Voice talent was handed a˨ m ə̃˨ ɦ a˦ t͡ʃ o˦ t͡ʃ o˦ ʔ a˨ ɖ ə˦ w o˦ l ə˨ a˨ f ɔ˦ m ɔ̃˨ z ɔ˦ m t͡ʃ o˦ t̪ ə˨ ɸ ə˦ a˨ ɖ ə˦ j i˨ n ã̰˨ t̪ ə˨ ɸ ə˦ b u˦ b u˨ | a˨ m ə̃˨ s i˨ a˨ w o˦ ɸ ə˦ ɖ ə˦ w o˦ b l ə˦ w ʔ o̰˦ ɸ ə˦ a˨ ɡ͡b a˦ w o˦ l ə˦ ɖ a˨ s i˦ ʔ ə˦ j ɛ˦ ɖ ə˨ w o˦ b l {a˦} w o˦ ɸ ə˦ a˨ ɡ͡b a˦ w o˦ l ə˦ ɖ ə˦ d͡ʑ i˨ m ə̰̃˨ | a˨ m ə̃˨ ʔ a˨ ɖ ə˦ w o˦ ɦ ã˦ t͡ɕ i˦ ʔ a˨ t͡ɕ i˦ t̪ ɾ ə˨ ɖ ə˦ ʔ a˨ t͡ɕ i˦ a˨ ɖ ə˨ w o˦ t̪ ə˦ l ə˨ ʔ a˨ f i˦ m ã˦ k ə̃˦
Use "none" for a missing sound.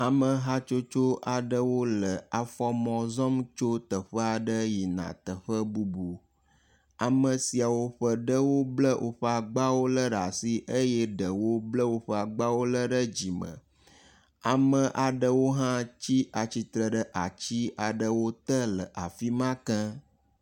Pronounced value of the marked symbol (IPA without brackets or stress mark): ə˦